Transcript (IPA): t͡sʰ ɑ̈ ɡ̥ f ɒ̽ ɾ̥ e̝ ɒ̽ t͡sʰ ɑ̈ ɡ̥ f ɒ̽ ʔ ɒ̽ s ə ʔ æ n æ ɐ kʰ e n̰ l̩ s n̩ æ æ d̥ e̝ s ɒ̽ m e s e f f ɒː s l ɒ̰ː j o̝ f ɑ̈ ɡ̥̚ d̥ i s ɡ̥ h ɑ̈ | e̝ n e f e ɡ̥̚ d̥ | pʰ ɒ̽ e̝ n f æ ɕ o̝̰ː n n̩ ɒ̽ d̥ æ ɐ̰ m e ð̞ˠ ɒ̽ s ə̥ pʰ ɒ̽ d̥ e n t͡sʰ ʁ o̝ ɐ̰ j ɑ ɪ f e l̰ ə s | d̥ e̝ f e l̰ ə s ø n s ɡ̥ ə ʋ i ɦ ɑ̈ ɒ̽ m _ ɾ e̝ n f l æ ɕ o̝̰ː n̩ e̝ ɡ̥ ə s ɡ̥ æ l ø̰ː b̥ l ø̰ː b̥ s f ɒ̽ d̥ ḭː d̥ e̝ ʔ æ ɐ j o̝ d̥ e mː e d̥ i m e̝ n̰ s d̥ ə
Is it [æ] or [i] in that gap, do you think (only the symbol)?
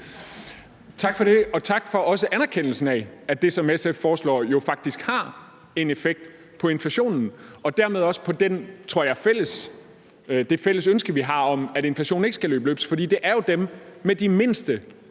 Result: æ